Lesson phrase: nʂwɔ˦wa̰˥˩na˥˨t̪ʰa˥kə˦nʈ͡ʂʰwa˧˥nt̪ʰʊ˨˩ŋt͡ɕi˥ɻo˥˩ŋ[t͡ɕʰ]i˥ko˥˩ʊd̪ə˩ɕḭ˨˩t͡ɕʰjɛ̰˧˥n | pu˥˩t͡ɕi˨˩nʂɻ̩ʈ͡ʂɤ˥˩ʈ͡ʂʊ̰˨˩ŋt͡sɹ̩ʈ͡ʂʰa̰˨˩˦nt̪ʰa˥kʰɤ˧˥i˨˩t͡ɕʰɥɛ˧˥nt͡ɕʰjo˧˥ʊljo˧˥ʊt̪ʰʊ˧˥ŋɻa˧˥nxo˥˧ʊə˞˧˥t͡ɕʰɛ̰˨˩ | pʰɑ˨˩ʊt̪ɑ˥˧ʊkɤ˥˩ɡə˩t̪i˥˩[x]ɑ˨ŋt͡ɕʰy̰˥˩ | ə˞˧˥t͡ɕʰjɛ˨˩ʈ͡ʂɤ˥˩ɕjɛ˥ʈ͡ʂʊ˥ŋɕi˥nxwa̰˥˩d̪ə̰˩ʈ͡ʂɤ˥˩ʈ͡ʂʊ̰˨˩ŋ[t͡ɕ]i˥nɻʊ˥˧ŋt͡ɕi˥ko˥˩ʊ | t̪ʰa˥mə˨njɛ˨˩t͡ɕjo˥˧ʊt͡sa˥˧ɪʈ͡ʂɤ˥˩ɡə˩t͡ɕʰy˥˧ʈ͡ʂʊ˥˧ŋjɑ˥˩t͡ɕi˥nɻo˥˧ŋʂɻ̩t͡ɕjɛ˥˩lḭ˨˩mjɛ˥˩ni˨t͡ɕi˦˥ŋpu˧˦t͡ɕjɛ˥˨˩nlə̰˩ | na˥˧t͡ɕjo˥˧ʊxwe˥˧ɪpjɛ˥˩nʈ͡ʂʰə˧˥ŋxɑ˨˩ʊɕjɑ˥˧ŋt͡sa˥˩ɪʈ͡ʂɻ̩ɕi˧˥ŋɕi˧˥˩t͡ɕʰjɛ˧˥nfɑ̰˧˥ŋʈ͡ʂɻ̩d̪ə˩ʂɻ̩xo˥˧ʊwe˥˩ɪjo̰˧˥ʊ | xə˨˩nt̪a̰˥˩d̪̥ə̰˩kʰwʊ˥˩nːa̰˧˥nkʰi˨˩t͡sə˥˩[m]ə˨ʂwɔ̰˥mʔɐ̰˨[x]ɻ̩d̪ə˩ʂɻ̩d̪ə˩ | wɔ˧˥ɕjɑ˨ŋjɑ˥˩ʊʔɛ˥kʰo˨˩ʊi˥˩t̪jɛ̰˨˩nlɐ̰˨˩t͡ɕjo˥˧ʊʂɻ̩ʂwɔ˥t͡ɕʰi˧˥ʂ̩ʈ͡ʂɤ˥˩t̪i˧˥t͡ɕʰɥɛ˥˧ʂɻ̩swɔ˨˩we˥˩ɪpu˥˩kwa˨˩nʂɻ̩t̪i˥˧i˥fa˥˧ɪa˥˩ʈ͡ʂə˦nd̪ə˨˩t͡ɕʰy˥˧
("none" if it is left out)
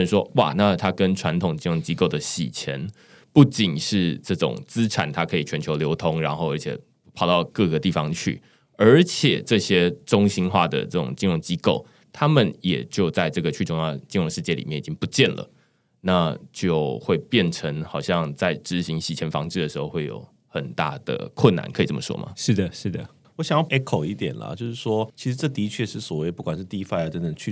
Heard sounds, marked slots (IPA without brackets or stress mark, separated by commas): t͡ɕ, f, t͡ɕ, m, ʂ